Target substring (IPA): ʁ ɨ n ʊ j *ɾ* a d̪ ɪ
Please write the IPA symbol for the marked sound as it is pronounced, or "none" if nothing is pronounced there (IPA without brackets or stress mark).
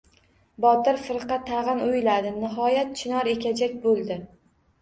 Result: l